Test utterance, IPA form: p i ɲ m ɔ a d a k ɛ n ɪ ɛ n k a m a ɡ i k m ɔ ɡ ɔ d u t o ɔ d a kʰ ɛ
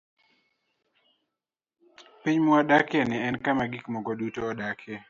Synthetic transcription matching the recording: p i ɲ m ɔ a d a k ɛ n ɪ ɛ n k a m a ɡ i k m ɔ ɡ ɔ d u t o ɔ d a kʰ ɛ